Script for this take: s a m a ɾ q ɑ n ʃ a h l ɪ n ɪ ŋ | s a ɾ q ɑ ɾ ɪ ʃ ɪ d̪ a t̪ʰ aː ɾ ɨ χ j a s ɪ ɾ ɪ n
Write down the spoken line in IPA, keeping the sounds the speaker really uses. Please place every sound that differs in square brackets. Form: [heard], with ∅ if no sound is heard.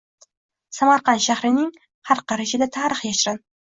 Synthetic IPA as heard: s a m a ɾ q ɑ n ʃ a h [ɾ] ɪ n ɪ ŋ | [h] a ɾ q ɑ ɾ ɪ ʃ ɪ d̪ a t̪ʰ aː ɾ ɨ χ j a [ʃ] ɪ ɾ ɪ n